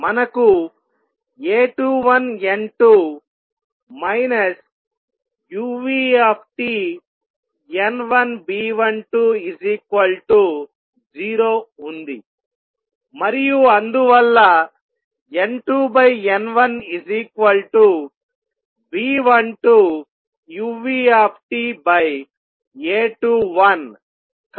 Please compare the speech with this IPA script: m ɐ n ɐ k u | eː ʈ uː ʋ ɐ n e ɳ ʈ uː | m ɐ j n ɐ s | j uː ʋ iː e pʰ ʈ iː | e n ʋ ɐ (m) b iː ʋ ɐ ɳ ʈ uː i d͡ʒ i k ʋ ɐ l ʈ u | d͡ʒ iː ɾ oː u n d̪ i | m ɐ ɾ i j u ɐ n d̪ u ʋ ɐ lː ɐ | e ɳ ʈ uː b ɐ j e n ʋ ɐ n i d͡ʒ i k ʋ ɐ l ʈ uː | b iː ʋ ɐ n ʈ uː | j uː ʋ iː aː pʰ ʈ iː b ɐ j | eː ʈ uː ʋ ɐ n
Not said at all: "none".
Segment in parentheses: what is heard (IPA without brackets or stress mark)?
n